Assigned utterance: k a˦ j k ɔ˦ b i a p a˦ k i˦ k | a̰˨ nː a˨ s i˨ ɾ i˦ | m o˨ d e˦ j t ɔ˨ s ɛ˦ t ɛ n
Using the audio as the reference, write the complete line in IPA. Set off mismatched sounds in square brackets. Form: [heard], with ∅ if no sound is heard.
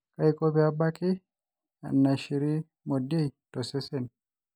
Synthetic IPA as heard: k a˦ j k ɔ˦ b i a [b] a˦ k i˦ [∅] | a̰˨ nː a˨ [ʃ] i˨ ɾ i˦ | m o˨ d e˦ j t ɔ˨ s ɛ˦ [s] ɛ n